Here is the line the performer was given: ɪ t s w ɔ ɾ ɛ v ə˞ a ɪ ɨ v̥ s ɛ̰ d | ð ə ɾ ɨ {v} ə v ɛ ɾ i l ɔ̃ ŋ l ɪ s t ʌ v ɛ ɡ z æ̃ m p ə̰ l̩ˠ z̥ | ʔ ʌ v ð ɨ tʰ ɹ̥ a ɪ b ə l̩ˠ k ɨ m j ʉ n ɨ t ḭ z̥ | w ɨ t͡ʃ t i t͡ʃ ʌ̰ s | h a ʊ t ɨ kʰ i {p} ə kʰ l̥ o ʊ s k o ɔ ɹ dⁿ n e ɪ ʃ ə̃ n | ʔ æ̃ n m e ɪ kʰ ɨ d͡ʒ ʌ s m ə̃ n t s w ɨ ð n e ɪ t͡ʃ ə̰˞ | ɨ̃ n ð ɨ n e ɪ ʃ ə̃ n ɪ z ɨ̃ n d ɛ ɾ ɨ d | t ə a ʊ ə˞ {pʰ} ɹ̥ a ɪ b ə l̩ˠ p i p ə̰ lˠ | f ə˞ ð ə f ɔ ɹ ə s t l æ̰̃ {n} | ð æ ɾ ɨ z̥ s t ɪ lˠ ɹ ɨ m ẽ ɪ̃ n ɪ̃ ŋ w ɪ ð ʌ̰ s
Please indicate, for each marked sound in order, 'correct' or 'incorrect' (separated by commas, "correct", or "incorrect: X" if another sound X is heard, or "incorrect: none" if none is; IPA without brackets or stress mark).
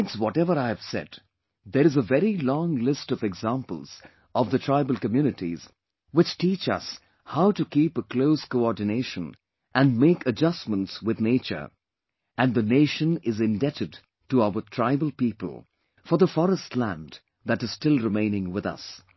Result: incorrect: z, correct, incorrect: tʰ, correct